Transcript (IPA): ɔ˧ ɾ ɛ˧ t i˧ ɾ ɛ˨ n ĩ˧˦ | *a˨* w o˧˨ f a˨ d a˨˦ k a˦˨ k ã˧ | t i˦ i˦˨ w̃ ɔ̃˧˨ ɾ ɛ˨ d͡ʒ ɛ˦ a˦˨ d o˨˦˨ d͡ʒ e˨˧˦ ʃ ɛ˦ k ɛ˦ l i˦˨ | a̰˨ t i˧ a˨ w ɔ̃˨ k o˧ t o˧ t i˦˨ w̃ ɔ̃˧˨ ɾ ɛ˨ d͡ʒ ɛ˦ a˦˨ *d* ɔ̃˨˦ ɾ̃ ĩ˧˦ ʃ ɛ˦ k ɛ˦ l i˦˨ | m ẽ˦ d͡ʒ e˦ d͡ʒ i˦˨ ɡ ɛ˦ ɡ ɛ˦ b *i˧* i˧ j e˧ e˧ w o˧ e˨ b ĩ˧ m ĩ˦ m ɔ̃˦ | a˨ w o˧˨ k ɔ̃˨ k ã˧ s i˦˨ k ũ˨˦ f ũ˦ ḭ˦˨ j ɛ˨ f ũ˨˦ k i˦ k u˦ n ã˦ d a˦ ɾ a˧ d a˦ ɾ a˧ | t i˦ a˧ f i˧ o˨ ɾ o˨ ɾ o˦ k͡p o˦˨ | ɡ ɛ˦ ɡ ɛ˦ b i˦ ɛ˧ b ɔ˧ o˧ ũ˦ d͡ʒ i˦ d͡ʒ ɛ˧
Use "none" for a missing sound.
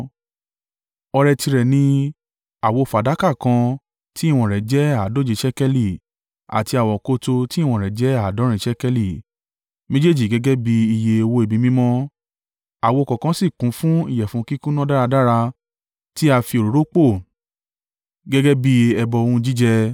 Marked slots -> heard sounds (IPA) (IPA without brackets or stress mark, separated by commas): a˨, d, i˧